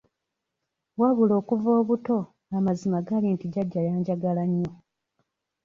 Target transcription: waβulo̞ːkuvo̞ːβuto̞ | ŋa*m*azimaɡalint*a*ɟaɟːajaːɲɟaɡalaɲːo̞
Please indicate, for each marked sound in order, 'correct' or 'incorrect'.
correct, incorrect

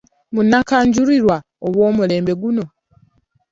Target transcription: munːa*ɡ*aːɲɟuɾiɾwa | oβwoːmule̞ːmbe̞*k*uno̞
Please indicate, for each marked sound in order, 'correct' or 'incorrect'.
incorrect, incorrect

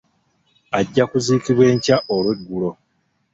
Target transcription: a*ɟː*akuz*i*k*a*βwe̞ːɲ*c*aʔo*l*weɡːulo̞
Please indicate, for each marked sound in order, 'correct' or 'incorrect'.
correct, incorrect, incorrect, correct, correct

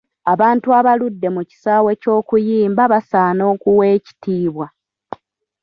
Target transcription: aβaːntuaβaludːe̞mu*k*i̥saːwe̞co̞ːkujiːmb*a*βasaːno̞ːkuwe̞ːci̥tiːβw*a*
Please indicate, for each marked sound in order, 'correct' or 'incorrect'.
incorrect, correct, correct

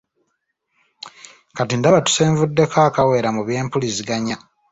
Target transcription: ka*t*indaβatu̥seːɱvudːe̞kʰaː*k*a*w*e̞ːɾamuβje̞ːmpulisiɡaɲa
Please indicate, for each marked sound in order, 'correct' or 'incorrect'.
correct, correct, correct

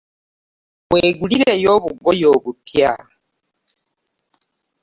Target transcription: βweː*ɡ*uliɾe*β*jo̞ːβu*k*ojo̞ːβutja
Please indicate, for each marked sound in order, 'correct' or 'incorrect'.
correct, incorrect, incorrect

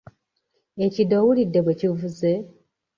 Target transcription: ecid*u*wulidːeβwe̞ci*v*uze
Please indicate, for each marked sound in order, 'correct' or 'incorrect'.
incorrect, correct

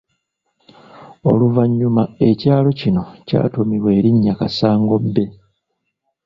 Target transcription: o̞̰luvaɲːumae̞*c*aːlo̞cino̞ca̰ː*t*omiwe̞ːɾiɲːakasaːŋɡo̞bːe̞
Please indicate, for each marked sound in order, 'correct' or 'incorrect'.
correct, correct

